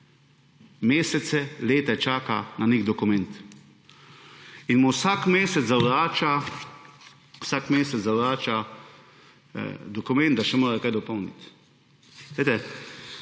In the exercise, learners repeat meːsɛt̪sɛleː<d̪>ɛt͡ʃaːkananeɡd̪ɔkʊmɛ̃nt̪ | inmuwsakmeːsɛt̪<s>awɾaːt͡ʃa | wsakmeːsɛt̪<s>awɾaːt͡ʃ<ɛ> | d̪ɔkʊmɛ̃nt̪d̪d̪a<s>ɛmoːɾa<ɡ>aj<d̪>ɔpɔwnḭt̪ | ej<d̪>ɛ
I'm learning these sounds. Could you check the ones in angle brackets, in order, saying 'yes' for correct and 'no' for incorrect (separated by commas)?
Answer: no, no, no, no, no, no, yes, no